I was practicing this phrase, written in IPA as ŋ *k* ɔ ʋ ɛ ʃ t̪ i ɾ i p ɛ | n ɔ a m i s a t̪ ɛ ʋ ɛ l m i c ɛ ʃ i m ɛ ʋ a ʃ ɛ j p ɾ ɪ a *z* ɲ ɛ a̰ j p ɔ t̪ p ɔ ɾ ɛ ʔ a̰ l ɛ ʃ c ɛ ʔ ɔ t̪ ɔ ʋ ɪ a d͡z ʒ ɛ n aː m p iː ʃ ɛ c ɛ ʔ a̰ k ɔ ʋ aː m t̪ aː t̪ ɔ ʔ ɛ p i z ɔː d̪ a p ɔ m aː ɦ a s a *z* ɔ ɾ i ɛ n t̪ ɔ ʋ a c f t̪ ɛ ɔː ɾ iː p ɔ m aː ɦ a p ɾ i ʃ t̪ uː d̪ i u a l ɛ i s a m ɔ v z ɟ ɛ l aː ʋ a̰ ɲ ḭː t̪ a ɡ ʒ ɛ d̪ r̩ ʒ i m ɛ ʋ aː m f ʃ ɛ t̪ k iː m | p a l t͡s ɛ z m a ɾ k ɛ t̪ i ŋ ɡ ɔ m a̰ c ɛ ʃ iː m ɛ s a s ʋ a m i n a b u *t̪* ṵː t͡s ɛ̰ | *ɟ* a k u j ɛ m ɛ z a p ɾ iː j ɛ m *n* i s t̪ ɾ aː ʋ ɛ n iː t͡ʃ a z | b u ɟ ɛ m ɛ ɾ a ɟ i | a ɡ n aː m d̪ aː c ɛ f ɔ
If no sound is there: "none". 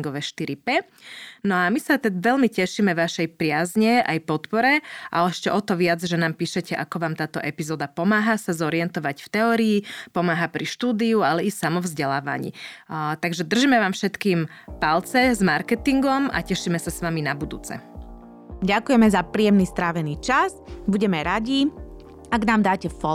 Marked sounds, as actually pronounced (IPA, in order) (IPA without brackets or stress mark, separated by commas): ɡ, z, z, d̪, ɟ, n